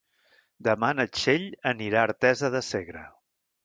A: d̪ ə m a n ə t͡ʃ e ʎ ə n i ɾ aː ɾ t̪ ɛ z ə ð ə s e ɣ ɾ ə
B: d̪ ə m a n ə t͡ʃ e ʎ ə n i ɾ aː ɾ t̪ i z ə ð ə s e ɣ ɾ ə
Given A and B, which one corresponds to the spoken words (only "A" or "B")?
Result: A